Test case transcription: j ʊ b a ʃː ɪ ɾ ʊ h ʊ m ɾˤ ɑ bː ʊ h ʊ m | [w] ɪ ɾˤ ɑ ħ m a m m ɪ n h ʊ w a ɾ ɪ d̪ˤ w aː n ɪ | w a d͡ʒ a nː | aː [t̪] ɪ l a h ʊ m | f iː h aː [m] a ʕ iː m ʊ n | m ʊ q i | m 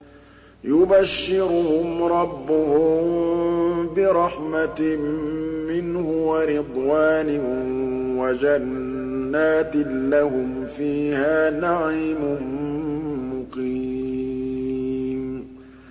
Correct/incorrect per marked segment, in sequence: incorrect, correct, incorrect

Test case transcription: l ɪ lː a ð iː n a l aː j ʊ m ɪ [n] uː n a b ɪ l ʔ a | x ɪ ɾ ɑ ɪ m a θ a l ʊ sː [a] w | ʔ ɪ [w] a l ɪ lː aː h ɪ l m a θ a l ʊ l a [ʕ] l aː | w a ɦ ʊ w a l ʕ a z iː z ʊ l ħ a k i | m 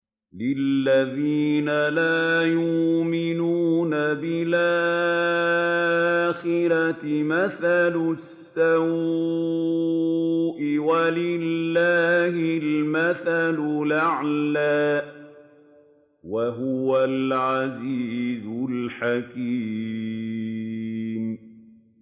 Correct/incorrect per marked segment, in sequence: correct, correct, correct, correct

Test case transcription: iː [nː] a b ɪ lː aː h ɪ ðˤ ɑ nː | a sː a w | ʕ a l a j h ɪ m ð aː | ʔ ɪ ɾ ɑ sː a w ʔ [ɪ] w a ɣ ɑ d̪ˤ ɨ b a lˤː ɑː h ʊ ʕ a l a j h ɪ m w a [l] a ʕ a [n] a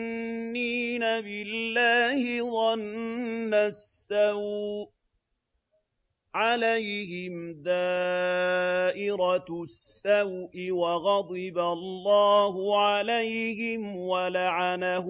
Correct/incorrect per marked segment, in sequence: incorrect, correct, correct, correct

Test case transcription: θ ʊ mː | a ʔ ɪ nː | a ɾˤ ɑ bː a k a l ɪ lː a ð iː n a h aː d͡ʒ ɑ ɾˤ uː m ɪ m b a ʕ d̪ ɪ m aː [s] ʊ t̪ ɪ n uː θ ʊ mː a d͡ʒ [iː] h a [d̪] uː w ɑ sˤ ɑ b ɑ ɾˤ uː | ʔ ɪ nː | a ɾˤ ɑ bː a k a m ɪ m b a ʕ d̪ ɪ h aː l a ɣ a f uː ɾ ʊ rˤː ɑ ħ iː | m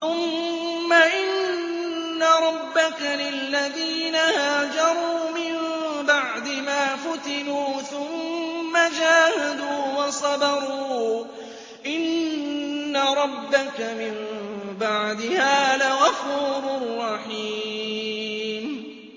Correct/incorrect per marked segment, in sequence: incorrect, incorrect, correct

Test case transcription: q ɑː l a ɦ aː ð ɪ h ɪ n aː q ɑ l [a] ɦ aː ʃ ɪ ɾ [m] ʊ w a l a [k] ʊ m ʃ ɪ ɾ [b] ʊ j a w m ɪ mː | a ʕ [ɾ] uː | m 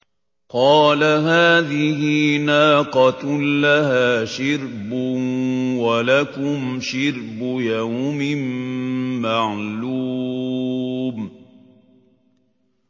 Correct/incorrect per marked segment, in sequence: correct, incorrect, correct, correct, incorrect

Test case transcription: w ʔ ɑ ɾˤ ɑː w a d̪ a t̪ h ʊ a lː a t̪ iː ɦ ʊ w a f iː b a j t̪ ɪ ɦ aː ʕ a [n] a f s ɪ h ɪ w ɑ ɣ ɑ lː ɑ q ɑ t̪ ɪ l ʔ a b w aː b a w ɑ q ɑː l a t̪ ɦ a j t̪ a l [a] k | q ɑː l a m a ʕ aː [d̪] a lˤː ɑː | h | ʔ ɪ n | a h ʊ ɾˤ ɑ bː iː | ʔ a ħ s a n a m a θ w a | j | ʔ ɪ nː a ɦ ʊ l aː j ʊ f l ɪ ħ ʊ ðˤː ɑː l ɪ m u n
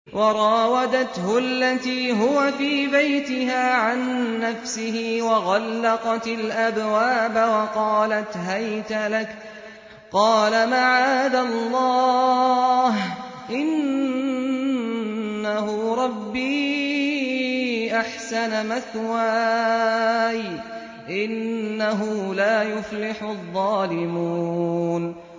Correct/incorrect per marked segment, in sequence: incorrect, correct, correct

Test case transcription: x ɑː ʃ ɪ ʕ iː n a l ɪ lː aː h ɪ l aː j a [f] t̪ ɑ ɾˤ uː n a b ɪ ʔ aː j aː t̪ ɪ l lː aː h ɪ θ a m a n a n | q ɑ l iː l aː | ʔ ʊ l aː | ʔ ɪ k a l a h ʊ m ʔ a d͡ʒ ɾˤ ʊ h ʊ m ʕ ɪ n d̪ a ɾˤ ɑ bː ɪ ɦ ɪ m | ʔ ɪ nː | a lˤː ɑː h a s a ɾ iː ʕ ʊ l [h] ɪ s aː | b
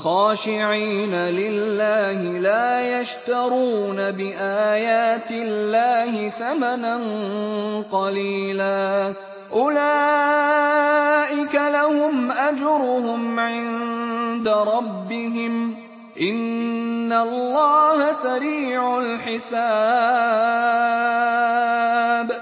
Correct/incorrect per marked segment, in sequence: incorrect, incorrect

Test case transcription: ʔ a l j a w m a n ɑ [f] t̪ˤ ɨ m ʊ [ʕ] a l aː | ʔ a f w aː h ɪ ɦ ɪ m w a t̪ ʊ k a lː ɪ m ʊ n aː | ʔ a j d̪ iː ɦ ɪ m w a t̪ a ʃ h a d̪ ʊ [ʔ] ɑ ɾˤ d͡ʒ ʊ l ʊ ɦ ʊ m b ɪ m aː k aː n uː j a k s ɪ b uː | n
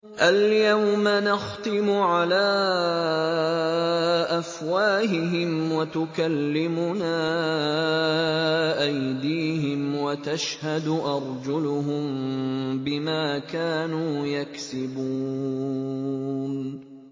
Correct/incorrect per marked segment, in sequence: incorrect, correct, correct

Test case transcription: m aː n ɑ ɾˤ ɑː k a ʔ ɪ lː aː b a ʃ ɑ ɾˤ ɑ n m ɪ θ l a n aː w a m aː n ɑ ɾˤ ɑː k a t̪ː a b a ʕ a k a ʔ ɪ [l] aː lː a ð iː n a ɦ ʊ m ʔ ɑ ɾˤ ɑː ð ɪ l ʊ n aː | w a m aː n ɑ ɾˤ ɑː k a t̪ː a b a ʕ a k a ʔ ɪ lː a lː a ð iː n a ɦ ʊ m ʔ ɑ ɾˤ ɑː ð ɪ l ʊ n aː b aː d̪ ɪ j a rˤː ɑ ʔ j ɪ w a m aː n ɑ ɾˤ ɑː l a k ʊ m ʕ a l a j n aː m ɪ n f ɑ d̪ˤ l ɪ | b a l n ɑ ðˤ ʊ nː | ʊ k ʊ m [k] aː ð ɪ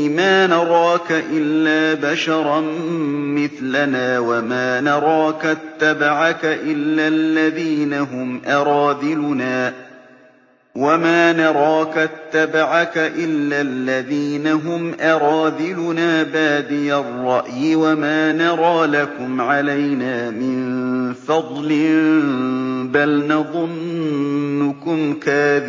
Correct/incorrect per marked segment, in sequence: incorrect, correct

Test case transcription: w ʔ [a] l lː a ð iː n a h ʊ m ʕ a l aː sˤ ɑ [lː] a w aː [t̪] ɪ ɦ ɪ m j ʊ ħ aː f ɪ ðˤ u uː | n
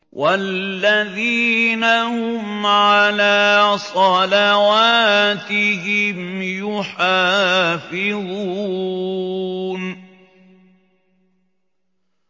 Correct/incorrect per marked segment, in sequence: correct, incorrect, correct

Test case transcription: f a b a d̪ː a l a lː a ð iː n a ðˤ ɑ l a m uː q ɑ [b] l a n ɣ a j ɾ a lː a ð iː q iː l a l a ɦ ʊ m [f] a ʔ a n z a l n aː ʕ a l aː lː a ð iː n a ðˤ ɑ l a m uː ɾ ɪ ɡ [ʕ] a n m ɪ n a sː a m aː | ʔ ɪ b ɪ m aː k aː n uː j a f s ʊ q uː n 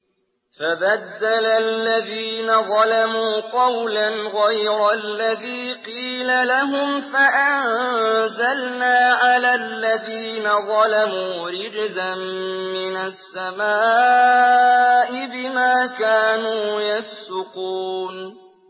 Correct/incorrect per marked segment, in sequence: incorrect, correct, incorrect

